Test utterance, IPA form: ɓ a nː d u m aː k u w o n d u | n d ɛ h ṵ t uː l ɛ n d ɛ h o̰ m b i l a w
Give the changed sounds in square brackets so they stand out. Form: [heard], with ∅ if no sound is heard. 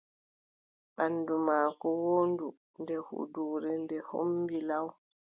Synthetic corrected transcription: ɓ a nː d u m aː k [ɔ] w o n d u | n d ɛ h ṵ [d] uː [ɾ] ɛ n d ɛ h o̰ m b i l a w